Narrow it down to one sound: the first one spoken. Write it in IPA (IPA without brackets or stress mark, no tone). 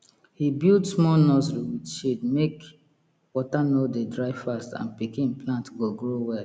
h